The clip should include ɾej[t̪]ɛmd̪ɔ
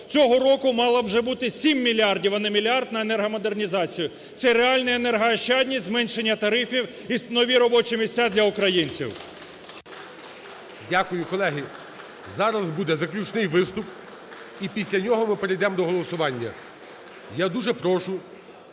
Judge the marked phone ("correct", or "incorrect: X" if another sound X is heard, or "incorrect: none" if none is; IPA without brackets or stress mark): incorrect: d̪